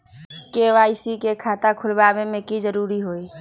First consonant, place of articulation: velar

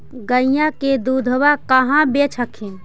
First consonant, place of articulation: velar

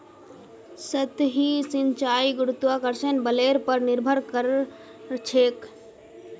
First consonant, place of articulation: alveolar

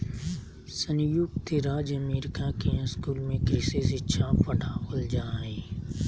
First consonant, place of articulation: alveolar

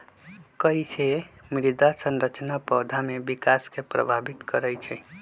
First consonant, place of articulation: velar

